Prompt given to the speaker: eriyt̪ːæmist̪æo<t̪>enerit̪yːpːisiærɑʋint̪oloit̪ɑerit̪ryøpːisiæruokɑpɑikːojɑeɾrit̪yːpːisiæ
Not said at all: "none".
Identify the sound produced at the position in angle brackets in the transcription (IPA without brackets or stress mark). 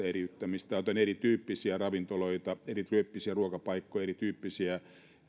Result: t̪